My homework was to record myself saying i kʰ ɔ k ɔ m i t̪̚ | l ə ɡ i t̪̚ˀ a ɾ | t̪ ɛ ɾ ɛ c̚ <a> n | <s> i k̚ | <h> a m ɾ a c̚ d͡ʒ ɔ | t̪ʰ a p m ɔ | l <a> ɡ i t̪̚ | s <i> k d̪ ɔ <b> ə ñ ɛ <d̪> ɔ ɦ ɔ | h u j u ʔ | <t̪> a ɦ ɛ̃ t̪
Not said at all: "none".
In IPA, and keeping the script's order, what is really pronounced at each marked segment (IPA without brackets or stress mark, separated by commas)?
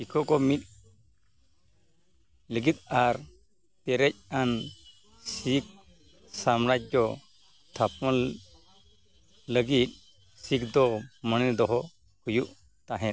a, s, s, ə, i, m, d̪, t̪